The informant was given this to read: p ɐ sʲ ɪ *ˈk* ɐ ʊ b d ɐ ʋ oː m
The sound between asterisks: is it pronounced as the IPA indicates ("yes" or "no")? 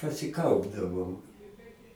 yes